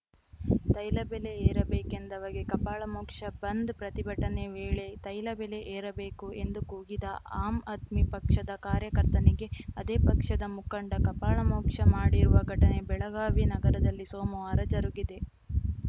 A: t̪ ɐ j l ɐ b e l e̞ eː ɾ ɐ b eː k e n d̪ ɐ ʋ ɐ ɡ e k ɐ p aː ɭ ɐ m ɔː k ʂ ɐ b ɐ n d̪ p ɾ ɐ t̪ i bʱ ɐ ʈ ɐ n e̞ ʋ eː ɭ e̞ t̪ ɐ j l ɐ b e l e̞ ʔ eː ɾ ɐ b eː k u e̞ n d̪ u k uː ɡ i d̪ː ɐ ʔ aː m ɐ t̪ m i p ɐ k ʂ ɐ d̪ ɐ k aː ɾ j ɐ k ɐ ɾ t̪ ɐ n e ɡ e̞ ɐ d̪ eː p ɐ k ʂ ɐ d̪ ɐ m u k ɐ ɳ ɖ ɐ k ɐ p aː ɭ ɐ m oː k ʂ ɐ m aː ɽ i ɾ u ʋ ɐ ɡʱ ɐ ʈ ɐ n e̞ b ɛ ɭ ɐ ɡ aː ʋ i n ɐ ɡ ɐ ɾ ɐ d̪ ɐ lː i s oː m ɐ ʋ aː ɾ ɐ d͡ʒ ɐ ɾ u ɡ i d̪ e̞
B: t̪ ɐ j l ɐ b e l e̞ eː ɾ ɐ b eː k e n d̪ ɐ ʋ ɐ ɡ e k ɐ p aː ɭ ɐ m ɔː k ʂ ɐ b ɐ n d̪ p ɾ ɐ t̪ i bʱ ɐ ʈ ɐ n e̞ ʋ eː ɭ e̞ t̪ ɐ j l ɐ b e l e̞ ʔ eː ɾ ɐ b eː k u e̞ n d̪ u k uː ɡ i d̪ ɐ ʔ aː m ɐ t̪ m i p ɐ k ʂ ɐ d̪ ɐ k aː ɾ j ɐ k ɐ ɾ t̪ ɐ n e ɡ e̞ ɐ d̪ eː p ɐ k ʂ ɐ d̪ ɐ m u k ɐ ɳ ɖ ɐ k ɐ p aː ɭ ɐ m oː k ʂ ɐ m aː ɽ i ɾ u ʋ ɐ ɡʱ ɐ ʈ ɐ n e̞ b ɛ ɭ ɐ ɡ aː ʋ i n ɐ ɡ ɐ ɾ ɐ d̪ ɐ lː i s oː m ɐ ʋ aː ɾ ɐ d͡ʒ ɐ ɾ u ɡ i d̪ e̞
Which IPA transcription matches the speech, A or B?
B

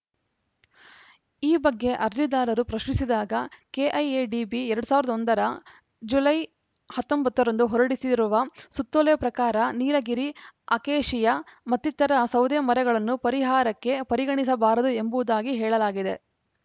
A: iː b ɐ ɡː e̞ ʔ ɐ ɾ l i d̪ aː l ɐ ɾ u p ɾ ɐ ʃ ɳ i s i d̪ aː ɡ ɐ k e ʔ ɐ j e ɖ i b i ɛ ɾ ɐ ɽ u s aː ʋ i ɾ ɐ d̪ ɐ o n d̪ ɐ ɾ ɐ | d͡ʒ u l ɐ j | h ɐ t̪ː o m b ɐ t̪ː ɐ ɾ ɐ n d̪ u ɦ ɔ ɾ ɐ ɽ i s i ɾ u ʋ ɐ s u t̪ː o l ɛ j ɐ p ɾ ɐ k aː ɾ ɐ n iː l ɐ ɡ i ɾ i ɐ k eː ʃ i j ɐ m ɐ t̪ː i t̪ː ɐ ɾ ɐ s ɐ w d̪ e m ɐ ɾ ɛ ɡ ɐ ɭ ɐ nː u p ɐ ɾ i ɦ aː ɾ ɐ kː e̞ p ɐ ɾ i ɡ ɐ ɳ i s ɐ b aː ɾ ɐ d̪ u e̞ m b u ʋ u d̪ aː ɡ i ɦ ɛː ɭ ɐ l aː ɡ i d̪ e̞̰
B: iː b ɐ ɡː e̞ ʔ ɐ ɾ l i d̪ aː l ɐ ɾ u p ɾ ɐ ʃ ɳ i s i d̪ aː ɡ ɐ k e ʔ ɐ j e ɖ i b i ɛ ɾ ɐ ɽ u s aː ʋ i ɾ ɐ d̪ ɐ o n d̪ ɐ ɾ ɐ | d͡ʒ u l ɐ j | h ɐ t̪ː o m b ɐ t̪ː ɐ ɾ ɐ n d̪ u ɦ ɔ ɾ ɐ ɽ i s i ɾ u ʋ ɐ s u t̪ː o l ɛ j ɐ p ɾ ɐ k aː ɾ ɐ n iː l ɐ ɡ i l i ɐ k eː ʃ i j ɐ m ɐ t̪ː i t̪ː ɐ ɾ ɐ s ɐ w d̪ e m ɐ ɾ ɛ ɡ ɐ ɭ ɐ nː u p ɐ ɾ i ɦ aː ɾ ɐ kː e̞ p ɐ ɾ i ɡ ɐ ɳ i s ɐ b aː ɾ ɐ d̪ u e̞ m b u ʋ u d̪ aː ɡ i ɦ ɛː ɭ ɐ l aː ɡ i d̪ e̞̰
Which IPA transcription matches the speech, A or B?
A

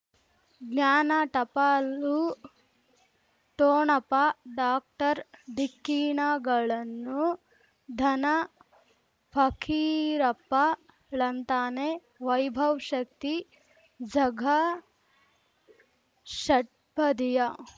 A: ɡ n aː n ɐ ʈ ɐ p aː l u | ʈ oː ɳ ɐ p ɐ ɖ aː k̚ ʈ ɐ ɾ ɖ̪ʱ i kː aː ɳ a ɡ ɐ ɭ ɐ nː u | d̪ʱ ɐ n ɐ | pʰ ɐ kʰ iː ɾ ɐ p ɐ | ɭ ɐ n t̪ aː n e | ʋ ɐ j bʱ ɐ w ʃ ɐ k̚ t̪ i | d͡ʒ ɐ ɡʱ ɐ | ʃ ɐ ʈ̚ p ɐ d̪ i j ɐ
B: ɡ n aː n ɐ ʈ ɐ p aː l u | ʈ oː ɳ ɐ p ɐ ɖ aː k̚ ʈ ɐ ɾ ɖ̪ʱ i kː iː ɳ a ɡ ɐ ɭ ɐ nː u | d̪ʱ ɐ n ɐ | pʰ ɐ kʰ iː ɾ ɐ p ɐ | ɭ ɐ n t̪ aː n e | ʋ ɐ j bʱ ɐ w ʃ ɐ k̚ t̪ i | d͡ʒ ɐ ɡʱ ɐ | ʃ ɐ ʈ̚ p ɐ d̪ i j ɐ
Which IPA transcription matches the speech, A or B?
B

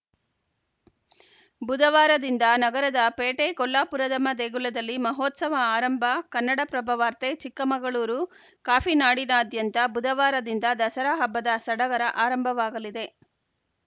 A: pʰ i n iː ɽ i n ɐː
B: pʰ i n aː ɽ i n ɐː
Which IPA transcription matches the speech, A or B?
B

